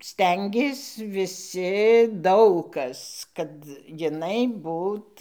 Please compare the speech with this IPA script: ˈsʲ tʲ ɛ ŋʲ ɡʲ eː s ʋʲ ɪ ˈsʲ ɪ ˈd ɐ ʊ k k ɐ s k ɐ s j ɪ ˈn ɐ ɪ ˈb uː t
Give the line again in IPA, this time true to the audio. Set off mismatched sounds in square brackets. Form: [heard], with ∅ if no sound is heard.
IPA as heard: ˈsʲ tʲ ɛ ŋʲ ɡʲ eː s ʋʲ ɪ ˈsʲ ɪ ˈd ɐ ʊ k k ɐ s k ɐ [t] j ɪ ˈn ɐ ɪ ˈb uː t